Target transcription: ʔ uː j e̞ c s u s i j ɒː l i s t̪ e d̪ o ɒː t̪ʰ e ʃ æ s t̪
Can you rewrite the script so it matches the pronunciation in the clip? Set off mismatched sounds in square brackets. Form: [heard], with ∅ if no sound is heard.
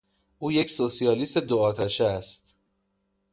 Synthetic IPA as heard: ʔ uː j e̞ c s [o] s i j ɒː l i s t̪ e d̪ o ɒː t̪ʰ [æ] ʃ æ s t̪